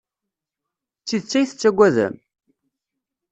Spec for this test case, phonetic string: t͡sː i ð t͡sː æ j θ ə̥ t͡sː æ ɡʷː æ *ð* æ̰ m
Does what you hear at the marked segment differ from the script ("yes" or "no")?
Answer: no